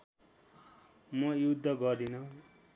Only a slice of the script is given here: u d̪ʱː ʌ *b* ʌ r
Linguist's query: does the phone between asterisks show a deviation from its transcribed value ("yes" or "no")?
yes